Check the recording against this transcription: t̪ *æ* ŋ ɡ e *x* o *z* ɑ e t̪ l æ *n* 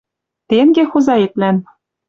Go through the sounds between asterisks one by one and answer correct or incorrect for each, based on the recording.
incorrect: e, correct, correct, correct

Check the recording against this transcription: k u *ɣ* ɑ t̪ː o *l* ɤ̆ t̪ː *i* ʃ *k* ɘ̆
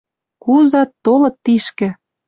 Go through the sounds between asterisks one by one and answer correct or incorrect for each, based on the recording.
incorrect: z, correct, correct, correct

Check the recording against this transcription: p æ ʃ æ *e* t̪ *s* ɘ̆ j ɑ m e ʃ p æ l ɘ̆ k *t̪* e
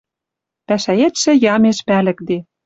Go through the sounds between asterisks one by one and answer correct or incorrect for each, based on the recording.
correct, incorrect: ʃ, incorrect: d̪

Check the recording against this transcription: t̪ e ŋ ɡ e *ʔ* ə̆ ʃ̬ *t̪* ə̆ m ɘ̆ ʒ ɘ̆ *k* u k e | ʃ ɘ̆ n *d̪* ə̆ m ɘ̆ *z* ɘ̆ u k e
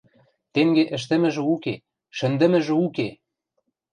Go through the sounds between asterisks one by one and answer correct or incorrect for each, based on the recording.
correct, correct, incorrect: none, correct, incorrect: ʒ

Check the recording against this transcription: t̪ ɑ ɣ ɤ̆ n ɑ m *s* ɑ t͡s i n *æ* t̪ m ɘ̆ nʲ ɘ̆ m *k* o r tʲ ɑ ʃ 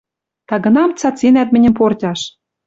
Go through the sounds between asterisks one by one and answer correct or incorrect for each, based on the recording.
incorrect: t͡s, correct, incorrect: p

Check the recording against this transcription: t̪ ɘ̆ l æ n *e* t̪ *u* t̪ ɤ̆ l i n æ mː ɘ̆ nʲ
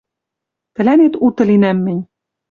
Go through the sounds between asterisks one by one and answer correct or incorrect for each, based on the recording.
correct, correct

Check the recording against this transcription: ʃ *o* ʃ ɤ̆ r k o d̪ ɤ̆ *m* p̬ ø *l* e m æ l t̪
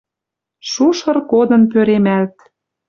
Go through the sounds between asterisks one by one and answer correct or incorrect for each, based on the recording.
incorrect: u, incorrect: n, incorrect: ɾ

